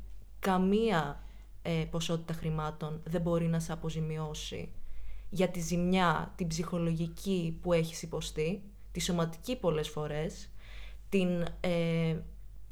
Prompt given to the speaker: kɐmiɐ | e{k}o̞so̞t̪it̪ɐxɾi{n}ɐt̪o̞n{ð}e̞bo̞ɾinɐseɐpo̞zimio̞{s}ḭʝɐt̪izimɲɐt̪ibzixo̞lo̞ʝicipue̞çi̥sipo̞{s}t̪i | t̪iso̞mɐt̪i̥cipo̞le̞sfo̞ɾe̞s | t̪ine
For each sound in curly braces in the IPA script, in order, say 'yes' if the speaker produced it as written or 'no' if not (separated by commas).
no, no, yes, yes, yes